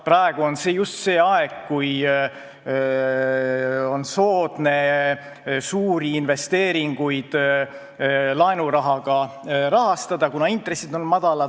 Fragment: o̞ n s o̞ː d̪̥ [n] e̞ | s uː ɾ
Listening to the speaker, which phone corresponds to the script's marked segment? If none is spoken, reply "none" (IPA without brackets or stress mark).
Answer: n